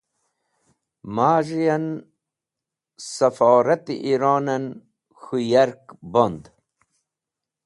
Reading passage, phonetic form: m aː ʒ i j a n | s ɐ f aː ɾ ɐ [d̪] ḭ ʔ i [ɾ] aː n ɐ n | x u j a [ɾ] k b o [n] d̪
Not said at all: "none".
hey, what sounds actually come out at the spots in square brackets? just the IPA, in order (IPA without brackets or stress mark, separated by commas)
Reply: t̪, ɾ, ɾ, n